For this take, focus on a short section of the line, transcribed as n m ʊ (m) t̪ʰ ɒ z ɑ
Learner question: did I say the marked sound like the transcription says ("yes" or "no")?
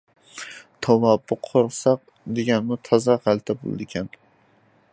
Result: no